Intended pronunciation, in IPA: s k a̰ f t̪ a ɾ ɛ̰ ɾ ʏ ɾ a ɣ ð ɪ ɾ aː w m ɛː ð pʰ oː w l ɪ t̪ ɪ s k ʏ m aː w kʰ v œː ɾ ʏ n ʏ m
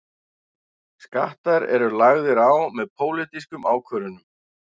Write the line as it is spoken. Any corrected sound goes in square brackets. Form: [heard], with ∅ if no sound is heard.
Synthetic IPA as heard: s k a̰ [h] t̪ a ɾ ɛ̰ ɾ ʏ [l] a ɣ ð ɪ ɾ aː w m [ɛ] ð pʰ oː w l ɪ t̪ [i] s k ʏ m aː w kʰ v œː ɾ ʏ n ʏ m